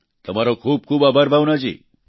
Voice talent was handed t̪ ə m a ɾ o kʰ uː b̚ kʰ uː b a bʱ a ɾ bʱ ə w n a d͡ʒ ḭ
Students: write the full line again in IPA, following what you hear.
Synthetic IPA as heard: t̪ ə m a ɾ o kʰ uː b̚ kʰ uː b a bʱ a ɾ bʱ a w n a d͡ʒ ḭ